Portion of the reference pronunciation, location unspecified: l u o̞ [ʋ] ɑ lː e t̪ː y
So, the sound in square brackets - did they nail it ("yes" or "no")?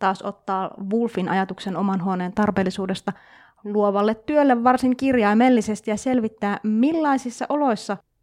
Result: yes